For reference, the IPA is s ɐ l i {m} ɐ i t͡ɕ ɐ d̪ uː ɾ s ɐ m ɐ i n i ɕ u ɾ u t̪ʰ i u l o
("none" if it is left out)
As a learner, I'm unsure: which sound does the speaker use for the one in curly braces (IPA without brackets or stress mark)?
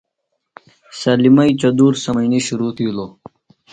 m